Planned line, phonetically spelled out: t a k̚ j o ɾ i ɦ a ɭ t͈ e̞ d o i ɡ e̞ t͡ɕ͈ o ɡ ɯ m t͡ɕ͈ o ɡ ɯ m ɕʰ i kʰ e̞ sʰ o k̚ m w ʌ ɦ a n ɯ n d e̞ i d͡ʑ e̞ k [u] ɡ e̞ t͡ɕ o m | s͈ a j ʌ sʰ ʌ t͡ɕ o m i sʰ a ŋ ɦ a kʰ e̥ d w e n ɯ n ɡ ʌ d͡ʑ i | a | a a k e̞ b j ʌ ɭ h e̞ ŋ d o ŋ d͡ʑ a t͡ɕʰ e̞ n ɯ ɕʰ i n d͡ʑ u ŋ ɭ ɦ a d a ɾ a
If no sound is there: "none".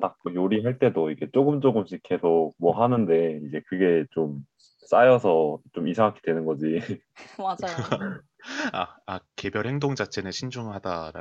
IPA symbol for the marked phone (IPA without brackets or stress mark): ɯ